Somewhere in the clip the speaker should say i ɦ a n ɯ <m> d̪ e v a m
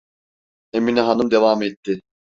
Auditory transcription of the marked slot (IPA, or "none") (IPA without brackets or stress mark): m